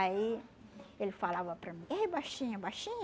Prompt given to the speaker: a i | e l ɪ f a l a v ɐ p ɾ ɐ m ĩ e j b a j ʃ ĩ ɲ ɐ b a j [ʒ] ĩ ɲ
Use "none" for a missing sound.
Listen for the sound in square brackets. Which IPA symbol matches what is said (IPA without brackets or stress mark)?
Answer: ʃ